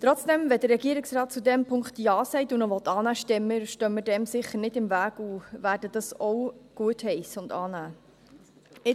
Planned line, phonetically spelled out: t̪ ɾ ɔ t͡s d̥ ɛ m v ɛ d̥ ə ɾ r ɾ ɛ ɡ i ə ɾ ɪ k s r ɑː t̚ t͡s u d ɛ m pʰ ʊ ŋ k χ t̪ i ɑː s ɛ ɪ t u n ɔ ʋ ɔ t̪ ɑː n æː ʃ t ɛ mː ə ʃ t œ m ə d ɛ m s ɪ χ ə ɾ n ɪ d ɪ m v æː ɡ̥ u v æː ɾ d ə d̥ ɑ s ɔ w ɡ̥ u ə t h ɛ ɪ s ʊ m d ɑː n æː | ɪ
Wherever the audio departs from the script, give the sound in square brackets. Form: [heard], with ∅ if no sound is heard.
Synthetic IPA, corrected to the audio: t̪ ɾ ɔ t͡s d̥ ɛ m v ɛ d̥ ə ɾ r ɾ ɛ ɡ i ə ɾ ɪ k s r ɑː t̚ t͡s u d ɛ m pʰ ʊ ŋ k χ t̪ [j] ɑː s ɛ ɪ t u n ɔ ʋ ɔ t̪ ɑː n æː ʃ t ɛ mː ə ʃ t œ m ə d ɛ m s ɪ χ ə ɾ n ɪ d ɪ m v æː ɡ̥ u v æː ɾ d ə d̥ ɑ s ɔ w ɡ̥ u ə t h ɛ ɪ s ʊ [n] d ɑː n æː | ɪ